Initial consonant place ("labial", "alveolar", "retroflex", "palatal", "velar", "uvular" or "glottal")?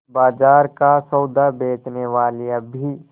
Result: labial